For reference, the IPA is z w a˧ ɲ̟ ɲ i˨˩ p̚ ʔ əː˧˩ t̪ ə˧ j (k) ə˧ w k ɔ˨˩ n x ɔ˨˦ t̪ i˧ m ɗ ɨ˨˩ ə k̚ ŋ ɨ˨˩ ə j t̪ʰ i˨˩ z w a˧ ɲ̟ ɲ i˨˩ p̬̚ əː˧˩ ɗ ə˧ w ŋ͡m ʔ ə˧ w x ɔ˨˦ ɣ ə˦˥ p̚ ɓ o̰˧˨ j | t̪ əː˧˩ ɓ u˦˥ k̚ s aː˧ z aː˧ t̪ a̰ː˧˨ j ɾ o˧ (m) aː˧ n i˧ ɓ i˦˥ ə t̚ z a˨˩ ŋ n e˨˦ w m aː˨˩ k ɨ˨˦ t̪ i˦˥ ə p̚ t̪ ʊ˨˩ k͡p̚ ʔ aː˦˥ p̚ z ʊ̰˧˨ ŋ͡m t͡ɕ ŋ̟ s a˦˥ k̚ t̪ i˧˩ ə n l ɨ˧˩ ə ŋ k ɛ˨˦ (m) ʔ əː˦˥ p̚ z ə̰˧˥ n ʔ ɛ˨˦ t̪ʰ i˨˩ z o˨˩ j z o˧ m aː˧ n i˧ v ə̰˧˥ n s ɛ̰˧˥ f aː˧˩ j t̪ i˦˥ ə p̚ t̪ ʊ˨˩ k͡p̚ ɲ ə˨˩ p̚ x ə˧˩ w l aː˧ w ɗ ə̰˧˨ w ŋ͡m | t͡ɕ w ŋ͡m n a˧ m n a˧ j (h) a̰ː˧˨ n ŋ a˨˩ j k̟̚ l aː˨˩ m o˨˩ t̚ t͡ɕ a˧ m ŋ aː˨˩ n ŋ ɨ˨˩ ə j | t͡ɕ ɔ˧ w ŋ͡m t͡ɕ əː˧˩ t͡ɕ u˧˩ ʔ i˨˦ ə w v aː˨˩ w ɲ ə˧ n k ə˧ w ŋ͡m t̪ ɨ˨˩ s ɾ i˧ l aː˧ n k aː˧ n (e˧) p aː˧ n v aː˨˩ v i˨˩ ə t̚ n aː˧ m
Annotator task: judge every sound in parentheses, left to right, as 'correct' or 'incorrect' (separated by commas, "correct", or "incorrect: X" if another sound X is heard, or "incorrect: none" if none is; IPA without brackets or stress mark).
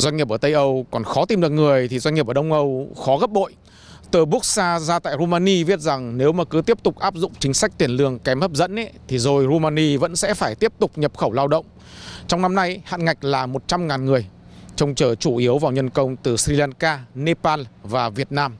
incorrect: ʔ, correct, correct, correct, correct